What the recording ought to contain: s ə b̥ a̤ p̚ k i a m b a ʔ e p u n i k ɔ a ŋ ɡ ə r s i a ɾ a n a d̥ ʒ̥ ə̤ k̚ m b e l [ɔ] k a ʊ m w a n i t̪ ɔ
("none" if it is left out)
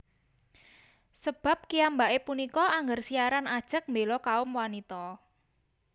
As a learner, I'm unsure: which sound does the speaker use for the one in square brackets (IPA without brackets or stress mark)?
ɔ